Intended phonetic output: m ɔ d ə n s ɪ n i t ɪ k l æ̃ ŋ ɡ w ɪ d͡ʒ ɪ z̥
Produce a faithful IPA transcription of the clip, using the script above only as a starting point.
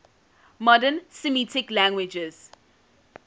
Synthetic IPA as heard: m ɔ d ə n s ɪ m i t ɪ k l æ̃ ŋ ɡ w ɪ d͡ʒ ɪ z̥